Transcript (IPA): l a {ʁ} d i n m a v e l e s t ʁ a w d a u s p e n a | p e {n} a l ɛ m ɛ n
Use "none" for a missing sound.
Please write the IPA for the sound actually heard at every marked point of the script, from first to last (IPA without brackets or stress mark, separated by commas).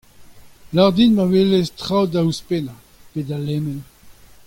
ʁ, d